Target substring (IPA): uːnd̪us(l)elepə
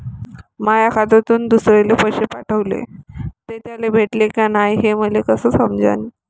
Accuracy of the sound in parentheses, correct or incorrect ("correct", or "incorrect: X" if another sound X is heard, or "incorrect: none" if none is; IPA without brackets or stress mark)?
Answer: incorrect: ɾ